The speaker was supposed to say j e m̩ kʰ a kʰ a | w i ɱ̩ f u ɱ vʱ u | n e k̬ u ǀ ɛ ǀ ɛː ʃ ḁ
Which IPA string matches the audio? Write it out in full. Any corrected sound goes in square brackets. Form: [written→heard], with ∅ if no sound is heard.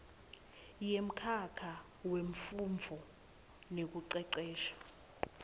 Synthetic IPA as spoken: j e m̩ kʰ a kʰ a | w [i→e] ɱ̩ f u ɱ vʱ [u→ɔ] | n e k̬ u ǀ ɛ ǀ ɛː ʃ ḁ